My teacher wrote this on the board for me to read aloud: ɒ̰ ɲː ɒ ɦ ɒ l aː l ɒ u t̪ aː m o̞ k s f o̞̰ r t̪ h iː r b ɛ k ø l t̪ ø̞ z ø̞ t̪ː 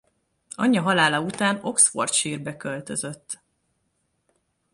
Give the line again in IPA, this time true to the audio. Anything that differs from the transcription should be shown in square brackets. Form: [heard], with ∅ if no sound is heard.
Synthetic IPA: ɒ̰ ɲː ɒ ɦ ɒ l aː l ɒ u t̪ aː [n] o̞ k s f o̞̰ r t̪ [ʃ] iː r b ɛ k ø l t̪ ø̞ z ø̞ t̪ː